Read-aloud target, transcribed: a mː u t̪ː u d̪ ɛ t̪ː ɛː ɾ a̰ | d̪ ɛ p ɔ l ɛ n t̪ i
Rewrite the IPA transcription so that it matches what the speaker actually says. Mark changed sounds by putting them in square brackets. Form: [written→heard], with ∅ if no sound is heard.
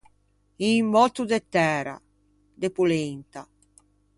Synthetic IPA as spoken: [a→i] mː [u→ɔ] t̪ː u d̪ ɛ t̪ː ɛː ɾ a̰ | d̪ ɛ p [ɔ→u] l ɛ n t̪ [i→a]

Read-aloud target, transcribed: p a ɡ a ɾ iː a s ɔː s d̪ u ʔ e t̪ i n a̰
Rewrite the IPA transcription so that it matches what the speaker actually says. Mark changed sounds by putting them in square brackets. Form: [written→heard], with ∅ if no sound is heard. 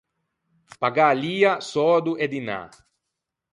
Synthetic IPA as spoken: p a ɡ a [ɾ→l] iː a s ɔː [s→∅] d̪ u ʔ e [t̪→d̪] i n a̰

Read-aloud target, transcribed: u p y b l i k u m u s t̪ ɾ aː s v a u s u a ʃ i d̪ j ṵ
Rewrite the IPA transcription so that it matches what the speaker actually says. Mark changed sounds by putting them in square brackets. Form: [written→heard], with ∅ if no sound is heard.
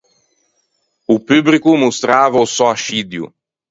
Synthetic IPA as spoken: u p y b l i k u m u s t̪ ɾ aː [s→∅] v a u s [u→ɔ] a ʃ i d̪ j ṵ

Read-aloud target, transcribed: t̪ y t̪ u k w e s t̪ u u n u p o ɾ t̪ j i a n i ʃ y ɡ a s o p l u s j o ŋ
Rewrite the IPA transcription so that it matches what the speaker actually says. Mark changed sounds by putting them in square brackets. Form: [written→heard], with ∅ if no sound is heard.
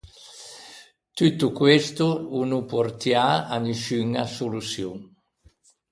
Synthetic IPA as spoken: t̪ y t̪ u k w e s t̪ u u n u p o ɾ t̪ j [i→a] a n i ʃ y [ɡ→ŋ] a s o [p→∅] l u s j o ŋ

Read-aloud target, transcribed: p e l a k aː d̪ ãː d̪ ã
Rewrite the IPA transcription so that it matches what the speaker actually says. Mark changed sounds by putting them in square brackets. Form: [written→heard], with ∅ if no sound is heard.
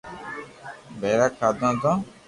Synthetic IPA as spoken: [p→b] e [l→ɾ] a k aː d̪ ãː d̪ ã

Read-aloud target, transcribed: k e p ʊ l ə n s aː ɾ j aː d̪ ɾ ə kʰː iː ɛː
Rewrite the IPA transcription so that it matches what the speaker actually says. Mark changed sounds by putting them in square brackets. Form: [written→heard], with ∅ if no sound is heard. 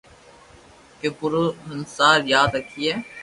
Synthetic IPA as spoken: k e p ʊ [l→ɾ] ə n s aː ɾ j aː d̪ ɾ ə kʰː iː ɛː

